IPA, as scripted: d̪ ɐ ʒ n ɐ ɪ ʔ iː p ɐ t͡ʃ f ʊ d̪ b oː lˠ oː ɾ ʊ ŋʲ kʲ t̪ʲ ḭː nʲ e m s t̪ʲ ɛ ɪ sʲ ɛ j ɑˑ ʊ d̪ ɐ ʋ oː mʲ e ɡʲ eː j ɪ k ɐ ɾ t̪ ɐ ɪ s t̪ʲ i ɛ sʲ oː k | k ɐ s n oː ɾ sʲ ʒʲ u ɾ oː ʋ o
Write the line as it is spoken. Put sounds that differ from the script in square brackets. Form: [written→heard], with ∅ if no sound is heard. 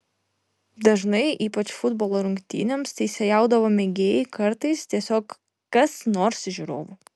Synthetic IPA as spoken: d̪ ɐ ʒ n ɐ ɪ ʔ iː p ɐ t͡ʃ f ʊ d̪ b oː lˠ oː ɾ ʊ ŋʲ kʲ t̪ʲ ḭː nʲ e m s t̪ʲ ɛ ɪ sʲ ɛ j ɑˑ ʊ d̪ ɐ ʋ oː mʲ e ɡʲ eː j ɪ k ɐ ɾ t̪ ɐ ɪ s t̪ʲ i ɛ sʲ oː k | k ɐ s n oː ɾ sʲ ʒʲ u ɾ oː ʋ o